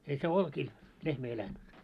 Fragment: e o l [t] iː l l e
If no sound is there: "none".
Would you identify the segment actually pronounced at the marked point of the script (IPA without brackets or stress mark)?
k